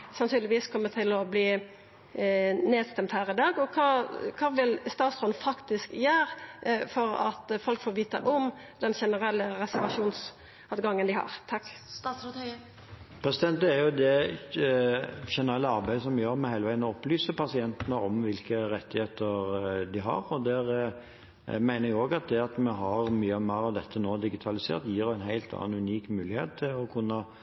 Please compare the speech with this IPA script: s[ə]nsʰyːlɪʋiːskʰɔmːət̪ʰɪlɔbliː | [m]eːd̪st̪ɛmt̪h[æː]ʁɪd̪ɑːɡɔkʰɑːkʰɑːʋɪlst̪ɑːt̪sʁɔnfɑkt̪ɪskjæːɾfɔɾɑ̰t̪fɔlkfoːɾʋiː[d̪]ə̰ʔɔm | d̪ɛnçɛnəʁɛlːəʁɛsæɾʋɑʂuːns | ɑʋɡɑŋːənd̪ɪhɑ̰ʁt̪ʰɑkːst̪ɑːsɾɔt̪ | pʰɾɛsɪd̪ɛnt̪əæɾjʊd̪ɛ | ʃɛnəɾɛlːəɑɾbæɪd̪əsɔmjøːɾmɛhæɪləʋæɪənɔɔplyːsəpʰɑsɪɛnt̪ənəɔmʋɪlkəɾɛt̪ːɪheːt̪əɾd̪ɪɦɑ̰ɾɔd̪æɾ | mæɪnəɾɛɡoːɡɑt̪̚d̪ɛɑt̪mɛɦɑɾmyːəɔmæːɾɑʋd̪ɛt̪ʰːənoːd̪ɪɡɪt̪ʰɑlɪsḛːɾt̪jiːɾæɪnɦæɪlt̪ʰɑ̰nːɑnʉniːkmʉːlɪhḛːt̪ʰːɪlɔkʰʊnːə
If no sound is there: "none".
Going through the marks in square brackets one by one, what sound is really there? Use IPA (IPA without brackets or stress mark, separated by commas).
ɑ, n, æː, t̪